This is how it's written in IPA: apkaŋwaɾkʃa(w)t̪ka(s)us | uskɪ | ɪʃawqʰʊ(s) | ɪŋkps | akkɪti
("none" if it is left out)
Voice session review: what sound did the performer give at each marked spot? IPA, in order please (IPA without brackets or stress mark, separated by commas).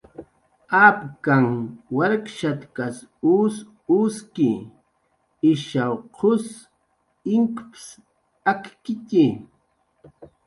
none, s, s